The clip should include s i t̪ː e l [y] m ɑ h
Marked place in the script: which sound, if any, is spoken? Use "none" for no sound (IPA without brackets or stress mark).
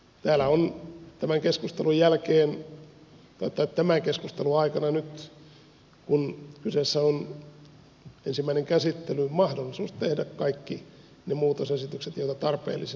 y